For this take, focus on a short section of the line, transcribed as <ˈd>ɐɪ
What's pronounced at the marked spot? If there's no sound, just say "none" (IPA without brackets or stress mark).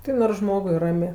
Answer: t